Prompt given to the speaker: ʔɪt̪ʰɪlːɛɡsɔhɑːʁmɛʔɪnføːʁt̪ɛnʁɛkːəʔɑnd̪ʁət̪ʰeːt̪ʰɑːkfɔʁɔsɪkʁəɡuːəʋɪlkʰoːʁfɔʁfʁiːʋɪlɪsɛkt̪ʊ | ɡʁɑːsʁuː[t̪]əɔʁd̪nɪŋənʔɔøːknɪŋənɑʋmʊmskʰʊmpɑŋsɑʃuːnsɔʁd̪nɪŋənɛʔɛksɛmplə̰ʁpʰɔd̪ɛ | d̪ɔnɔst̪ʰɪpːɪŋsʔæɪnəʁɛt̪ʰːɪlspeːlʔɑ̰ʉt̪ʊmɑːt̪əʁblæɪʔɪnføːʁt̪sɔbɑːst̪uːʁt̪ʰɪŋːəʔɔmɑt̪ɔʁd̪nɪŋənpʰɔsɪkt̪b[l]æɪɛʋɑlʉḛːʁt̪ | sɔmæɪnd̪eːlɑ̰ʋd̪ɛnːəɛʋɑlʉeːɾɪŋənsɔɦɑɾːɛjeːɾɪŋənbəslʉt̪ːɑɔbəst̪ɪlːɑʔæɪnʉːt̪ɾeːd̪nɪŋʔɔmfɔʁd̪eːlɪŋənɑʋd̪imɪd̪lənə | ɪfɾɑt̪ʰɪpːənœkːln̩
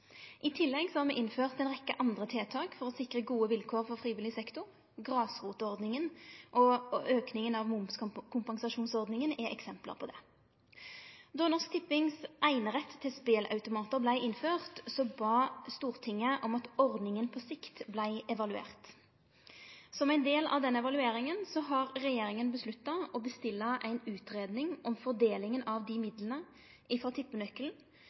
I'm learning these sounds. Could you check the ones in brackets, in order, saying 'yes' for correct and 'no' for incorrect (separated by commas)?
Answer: yes, yes